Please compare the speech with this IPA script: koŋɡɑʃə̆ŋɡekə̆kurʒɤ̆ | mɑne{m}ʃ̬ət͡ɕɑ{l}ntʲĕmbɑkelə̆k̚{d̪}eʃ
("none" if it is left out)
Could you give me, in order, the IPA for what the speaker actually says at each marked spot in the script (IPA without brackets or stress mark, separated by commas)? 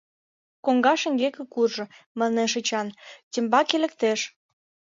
none, none, t̪